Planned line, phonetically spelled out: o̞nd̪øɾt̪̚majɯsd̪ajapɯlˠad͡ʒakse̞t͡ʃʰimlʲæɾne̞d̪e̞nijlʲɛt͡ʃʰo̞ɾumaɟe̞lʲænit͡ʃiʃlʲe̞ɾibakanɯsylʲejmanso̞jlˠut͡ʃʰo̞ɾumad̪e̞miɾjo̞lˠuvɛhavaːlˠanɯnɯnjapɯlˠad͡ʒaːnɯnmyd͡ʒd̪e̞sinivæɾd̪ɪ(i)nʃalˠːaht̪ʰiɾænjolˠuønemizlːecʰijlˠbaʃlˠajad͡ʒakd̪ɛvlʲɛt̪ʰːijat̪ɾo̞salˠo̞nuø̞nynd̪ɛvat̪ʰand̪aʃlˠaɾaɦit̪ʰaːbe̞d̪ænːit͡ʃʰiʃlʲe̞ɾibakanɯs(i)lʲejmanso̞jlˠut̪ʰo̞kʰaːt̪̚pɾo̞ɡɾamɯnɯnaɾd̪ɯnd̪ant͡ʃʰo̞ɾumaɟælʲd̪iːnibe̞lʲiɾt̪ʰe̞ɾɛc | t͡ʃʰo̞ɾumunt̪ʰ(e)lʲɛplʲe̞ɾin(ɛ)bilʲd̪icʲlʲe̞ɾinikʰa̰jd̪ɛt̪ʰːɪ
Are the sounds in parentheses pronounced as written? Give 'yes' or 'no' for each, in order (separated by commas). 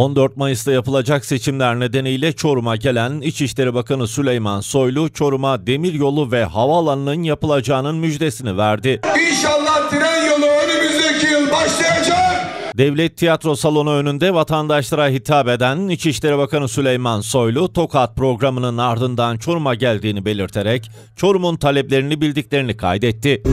yes, no, no, no